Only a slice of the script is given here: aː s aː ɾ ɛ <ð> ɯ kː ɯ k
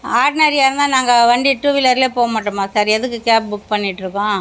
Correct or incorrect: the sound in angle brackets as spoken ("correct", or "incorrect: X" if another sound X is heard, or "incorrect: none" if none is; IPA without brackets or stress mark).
correct